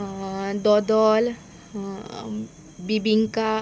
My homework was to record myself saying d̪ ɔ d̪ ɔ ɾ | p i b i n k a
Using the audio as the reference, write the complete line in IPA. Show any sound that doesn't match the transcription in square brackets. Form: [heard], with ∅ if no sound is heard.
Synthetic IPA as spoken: d̪ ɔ d̪ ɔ [l] | [b] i b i [ŋ] k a